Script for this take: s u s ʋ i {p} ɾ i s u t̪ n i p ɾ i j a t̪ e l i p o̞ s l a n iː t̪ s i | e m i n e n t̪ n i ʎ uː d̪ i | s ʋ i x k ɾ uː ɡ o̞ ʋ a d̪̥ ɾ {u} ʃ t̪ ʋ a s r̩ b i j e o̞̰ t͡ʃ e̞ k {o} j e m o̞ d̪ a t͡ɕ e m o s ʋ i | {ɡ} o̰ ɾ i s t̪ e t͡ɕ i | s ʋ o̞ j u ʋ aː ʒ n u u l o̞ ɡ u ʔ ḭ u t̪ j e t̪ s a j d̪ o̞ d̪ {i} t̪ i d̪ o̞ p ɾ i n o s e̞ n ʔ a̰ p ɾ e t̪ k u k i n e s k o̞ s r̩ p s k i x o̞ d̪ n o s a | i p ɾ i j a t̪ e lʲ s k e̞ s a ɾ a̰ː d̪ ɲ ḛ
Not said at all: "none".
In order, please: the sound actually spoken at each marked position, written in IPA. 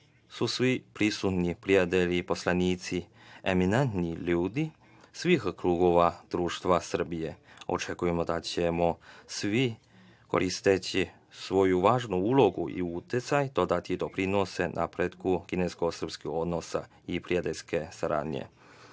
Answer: p, uː, u, k, a

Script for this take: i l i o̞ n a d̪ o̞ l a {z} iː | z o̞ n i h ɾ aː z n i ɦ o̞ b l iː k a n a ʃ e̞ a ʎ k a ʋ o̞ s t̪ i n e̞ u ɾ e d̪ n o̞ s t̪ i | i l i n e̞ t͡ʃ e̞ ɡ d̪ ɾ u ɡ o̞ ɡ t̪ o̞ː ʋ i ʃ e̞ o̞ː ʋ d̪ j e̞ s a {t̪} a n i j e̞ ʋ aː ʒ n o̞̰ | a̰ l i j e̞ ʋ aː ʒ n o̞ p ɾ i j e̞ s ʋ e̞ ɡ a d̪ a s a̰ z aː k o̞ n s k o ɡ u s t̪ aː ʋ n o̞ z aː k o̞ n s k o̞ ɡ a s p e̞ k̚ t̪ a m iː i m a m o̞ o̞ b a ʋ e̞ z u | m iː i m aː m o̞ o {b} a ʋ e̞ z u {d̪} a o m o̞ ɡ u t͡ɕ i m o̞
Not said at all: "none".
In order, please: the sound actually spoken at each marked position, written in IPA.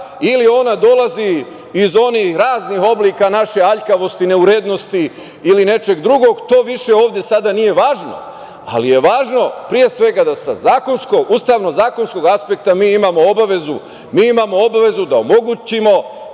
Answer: z, d̪, b, d̪

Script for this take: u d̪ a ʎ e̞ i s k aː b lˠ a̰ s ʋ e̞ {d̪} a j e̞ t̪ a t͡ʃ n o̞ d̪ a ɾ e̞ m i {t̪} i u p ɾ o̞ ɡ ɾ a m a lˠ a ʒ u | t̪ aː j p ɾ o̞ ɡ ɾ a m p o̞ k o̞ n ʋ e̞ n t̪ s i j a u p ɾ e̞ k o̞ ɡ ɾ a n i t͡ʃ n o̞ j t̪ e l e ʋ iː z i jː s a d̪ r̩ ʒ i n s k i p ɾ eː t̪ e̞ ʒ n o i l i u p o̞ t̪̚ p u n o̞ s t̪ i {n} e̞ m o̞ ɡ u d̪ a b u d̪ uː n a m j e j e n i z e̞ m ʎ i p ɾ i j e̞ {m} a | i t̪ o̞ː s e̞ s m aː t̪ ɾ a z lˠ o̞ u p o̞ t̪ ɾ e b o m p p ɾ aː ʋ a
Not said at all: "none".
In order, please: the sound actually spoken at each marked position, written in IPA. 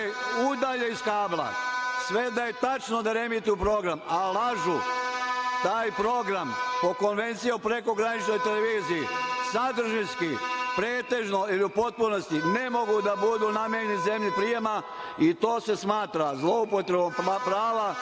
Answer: d̪, t̪, n, m

